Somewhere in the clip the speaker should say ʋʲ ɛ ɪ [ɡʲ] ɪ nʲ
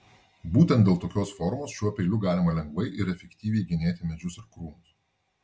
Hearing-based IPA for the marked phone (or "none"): ɡʲ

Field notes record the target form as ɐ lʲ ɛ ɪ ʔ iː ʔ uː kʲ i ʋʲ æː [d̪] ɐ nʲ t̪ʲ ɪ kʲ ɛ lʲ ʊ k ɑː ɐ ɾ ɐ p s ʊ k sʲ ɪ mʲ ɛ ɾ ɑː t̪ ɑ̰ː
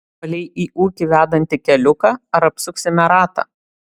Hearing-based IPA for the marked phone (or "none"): d̪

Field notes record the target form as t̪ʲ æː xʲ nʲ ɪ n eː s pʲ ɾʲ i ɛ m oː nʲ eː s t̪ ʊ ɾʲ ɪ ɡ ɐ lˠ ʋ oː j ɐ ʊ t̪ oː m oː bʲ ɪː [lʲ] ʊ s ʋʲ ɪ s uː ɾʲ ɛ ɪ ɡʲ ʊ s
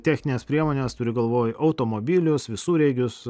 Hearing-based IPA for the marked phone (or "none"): lʲ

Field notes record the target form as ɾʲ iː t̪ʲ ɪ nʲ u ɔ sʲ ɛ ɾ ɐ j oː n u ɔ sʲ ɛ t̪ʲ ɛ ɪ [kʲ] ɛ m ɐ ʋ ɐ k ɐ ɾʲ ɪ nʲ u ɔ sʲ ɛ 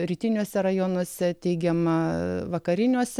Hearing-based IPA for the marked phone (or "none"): ɡʲ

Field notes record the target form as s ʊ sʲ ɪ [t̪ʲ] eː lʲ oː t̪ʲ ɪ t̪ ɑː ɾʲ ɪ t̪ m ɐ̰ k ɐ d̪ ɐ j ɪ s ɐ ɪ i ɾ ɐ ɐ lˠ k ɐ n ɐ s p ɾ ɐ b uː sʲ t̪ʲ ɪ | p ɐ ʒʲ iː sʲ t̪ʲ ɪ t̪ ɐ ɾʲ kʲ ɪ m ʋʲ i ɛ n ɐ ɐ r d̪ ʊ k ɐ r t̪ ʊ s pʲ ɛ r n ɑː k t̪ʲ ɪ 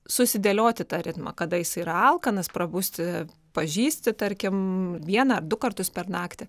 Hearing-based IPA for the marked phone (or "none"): d̪ʲ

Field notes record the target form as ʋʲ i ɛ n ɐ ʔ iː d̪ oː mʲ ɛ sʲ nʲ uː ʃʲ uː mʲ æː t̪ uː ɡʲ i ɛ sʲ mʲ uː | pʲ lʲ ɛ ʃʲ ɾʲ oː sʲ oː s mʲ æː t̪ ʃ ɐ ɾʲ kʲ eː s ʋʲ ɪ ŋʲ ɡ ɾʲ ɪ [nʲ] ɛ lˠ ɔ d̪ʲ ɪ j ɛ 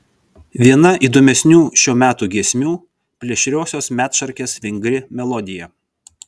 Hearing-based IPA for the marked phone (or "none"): mʲ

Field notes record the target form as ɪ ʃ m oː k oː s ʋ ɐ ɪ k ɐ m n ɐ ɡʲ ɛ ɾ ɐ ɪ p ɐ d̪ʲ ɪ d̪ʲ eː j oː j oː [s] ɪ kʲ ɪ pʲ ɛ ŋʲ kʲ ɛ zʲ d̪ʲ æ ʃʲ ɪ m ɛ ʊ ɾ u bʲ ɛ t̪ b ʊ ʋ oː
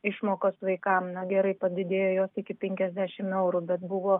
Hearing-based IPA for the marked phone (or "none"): s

